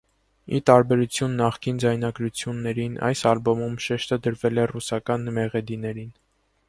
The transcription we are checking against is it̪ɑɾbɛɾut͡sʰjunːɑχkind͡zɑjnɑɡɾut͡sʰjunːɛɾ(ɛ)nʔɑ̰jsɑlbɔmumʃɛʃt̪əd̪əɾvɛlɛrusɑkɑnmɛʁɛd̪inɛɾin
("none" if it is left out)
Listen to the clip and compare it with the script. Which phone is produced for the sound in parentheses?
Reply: i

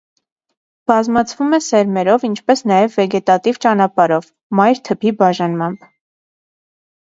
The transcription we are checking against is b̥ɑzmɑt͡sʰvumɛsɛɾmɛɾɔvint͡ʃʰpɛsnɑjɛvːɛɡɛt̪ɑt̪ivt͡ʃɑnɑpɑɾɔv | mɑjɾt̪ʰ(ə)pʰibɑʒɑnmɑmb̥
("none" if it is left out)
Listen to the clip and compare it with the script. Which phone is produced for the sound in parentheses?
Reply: ə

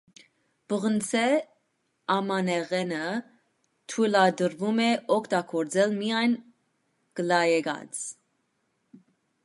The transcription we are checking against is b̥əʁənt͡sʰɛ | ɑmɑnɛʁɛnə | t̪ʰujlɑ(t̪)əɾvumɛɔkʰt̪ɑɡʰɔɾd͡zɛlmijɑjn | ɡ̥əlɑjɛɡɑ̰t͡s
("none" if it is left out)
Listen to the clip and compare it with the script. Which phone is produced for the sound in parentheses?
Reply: d̪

